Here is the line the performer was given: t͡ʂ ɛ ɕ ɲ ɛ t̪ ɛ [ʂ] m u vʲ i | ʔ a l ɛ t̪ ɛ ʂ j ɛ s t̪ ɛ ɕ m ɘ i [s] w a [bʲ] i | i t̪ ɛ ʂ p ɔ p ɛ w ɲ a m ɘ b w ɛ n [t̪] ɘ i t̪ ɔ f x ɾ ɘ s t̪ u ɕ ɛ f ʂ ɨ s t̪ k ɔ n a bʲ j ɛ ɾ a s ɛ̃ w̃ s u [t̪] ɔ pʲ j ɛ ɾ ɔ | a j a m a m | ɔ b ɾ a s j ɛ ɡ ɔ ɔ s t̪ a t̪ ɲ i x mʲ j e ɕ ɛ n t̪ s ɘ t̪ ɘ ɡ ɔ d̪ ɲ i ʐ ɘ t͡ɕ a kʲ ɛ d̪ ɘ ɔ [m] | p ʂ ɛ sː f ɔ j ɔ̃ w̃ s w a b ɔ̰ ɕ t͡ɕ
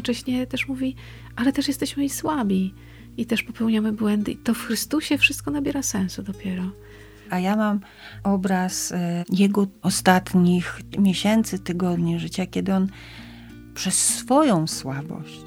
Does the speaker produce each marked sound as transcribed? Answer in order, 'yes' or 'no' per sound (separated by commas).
yes, yes, yes, no, no, no